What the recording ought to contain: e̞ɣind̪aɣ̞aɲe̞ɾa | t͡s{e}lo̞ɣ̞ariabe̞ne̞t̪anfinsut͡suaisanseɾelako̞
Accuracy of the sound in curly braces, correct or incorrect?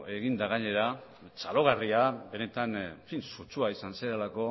incorrect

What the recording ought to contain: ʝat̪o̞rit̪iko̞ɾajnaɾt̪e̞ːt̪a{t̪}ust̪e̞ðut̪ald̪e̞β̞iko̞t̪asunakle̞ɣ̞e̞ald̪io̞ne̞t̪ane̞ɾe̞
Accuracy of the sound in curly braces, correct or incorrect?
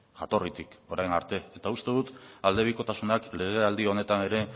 incorrect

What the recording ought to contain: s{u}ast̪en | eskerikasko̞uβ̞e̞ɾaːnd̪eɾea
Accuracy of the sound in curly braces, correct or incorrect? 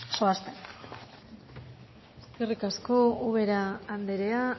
incorrect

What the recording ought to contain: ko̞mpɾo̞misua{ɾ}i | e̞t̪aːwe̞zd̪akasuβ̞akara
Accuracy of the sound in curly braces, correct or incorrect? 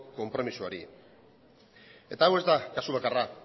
correct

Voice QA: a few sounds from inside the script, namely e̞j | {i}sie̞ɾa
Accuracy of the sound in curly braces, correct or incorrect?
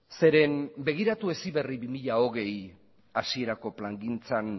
incorrect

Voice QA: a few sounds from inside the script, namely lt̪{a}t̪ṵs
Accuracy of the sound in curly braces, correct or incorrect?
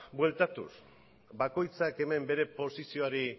correct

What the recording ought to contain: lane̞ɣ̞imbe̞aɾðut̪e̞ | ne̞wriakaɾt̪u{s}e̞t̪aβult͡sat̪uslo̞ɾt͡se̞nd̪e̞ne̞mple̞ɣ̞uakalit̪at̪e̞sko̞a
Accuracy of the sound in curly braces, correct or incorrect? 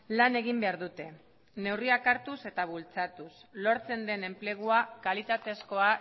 correct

